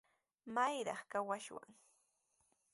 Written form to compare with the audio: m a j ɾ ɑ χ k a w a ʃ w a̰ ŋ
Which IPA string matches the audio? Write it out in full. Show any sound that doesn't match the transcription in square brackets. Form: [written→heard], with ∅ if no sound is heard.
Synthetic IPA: m a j ɾ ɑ χ k a w a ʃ w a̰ ŋ